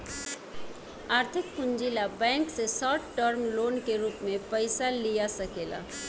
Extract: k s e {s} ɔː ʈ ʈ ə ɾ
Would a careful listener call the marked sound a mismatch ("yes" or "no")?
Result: no